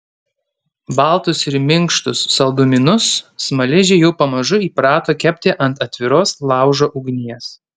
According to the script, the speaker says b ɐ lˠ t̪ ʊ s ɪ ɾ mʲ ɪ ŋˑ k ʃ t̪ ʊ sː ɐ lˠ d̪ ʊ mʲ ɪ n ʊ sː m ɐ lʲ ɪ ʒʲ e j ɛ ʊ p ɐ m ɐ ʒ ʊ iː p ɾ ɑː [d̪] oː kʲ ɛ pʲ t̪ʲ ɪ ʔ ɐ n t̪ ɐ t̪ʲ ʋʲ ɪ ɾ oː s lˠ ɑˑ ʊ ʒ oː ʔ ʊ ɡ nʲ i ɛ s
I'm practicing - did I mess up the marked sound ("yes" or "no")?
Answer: yes